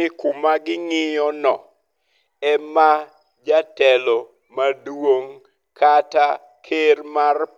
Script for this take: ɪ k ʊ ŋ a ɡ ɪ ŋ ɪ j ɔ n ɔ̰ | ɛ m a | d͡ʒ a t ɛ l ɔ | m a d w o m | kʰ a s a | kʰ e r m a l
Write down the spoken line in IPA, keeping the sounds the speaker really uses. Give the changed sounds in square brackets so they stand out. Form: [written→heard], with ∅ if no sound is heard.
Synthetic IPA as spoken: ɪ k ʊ [ŋ→m] a ɡ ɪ ŋ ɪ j ɔ n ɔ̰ | ɛ m a | d͡ʒ a t ɛ l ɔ | m a d w o [m→ŋ] | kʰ a [s→t] a | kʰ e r m a [l→r]